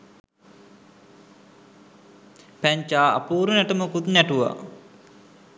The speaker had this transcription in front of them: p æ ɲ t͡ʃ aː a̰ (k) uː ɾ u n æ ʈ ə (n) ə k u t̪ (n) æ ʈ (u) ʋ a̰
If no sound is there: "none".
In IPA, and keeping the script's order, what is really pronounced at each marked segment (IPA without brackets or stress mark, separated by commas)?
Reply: p, m, n, u